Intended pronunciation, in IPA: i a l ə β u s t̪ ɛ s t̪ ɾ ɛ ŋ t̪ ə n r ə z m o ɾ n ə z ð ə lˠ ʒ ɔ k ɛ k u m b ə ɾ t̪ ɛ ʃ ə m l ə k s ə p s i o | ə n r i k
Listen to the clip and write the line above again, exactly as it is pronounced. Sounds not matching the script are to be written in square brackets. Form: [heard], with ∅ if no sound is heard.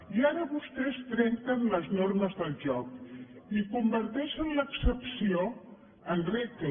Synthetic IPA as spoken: i a [ɾ] ə β u s t̪ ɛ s t̪ ɾ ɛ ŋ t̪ ə n [l] ə z [n] o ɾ [m] ə z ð ə lˠ ʒ ɔ k [i] k u m b ə ɾ t̪ ɛ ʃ ə [n] l ə k s ə p s i o | ə n r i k